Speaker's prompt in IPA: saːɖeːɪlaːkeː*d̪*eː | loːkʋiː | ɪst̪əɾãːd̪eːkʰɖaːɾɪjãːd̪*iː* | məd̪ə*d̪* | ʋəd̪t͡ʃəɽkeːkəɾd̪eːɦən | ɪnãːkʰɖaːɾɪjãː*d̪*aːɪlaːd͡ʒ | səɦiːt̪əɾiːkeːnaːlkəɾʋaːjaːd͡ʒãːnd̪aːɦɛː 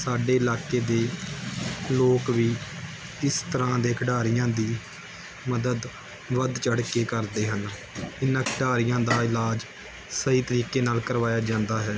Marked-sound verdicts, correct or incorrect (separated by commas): correct, correct, correct, correct